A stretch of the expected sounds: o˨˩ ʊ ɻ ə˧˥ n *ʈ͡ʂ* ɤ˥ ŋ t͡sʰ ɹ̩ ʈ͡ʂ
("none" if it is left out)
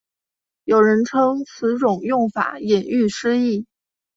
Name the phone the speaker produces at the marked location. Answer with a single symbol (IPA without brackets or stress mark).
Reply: ʈ͡ʂʰ